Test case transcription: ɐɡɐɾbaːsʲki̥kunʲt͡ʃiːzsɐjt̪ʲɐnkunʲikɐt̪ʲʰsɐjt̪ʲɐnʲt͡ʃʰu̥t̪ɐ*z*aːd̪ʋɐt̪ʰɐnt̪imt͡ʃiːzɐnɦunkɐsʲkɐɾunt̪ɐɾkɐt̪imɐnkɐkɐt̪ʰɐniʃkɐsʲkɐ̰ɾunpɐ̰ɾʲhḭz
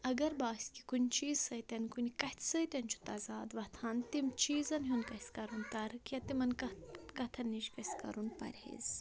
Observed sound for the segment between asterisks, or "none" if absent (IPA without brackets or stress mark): z